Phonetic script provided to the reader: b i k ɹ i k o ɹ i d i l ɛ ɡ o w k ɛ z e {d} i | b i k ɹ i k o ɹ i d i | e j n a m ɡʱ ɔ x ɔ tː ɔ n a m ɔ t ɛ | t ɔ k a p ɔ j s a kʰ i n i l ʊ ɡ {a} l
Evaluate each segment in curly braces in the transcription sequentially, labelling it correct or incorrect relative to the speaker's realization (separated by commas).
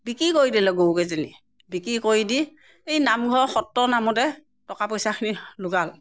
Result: incorrect, correct